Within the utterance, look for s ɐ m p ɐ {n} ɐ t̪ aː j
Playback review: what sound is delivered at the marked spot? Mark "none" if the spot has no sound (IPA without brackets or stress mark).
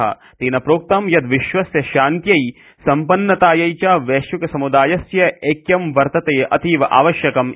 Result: nː